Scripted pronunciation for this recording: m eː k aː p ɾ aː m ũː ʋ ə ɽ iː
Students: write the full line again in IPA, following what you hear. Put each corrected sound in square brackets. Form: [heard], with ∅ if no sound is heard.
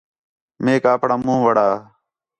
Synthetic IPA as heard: m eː k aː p [ɽ] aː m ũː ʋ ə ɽ [aː]

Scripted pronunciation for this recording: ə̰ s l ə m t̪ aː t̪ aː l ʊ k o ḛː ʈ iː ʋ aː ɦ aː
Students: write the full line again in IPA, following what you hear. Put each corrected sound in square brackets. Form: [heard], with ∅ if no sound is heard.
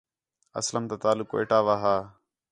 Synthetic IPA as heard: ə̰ s l ə m t̪ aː t̪ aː l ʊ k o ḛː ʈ [aː] ʋ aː ɦ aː

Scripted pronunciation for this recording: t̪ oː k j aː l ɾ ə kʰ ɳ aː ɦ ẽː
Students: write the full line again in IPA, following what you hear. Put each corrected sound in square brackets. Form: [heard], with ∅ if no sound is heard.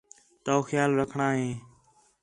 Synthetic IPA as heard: t̪ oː [x] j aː l ɾ ə kʰ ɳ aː ɦ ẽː

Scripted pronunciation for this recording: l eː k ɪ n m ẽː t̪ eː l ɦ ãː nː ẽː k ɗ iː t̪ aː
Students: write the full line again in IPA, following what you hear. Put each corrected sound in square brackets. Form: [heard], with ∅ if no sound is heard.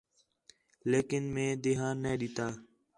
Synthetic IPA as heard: l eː k ɪ n m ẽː [d̪] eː [∅] ɦ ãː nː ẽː [∅] ɗ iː t̪ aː

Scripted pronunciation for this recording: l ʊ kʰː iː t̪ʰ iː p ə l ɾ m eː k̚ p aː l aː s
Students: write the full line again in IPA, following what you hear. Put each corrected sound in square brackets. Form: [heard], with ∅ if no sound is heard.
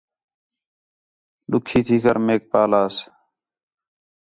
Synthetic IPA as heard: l ʊ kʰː iː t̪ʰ iː [k] ə [∅] ɾ m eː k̚ p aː l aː s

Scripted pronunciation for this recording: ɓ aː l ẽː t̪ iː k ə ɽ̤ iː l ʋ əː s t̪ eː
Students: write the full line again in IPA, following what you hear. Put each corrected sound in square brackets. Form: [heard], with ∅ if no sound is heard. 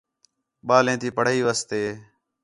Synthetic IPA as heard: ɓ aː l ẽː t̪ iː [p] ə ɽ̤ iː [∅] ʋ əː s t̪ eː

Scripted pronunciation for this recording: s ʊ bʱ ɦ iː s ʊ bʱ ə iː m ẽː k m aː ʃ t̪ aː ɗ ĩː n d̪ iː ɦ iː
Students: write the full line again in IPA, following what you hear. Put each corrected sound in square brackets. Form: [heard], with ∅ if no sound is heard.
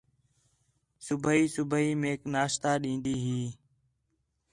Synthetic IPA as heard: s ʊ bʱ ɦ iː s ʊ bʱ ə iː m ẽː k [n] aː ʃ t̪ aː ɗ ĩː n d̪ iː ɦ iː

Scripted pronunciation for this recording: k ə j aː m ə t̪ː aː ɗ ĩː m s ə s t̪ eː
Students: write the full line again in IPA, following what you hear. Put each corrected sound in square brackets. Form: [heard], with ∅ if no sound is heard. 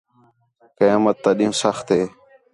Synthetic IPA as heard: k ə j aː m ə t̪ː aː ɗ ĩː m s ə [x] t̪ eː

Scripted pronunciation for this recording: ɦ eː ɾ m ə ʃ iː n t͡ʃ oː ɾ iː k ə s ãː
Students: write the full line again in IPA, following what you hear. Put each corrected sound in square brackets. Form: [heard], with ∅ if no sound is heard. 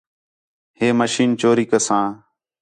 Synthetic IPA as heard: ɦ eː [∅] m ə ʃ iː n t͡ʃ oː ɾ iː k ə s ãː

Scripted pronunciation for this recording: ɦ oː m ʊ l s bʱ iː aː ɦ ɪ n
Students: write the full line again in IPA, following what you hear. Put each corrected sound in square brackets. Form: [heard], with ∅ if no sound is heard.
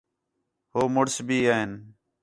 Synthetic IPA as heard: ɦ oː m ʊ [ɽ] s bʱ iː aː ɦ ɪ n

